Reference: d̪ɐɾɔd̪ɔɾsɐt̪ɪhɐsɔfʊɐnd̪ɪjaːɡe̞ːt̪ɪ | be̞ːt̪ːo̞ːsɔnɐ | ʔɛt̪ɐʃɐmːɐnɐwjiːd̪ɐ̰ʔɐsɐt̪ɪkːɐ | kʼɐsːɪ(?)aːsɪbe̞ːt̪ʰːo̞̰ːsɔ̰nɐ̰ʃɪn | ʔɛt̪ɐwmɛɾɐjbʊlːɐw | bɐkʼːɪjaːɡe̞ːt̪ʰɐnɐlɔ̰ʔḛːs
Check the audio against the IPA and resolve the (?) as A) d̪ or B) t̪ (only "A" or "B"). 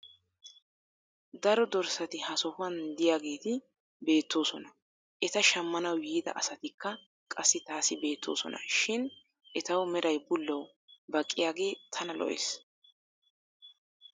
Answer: B